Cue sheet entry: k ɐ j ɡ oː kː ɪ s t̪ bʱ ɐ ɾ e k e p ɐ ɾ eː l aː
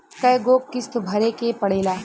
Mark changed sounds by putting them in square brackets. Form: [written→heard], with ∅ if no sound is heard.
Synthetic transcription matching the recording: k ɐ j ɡ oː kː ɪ s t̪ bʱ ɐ ɾ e k e p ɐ [ɾ→ɽ] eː l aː